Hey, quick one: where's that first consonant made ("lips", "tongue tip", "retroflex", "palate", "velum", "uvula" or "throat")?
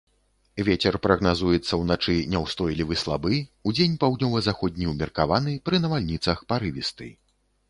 lips